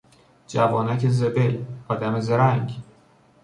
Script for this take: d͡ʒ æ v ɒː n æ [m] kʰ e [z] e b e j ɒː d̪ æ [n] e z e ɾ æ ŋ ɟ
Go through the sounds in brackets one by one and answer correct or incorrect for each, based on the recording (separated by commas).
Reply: incorrect, correct, incorrect